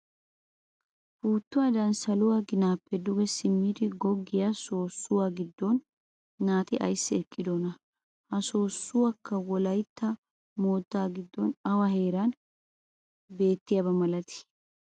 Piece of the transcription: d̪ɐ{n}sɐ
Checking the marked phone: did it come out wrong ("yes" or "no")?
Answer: no